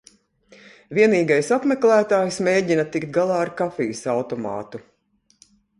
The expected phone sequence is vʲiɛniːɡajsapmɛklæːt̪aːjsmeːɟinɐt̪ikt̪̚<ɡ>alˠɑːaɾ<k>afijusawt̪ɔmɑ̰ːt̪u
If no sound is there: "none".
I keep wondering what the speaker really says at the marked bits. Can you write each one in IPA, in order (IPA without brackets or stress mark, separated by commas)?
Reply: ɡ, k